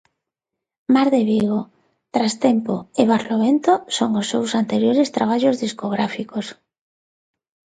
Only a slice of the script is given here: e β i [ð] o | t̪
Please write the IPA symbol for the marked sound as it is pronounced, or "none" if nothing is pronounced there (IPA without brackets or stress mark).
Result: ɣ